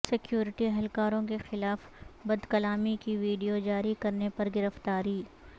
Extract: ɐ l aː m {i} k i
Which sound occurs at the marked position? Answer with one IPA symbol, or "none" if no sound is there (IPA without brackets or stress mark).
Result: i